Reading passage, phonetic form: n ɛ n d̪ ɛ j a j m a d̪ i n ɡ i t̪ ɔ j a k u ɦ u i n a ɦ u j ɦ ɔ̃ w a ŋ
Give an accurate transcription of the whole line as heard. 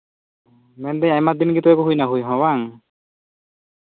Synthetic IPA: m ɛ n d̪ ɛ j a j m a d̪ i n ɡ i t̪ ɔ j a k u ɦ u j n a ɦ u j ɦ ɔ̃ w a ŋ